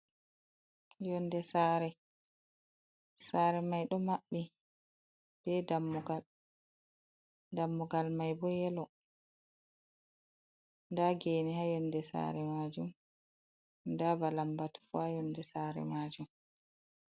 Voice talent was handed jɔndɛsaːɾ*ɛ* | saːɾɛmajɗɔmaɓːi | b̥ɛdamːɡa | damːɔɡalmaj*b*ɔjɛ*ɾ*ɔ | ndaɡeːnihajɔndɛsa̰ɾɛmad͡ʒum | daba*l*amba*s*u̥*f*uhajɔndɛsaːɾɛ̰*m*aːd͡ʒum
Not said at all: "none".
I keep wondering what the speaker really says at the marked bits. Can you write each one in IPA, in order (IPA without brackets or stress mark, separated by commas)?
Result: ɛ, b, l, l, t, f, m